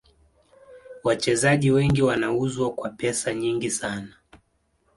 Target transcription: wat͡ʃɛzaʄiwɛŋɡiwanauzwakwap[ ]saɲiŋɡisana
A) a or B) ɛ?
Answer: B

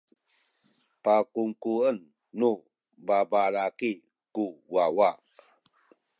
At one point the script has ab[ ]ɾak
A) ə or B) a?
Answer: B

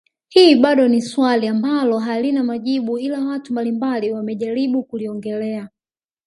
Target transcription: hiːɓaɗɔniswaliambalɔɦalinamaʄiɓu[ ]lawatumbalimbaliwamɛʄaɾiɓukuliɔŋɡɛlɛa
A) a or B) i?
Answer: B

